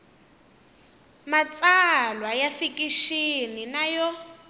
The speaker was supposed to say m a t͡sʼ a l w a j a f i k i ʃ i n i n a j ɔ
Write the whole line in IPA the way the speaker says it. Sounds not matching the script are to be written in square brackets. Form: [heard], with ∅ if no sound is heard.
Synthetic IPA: m a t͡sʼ a l w a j a f i k i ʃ i n i n a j ɔ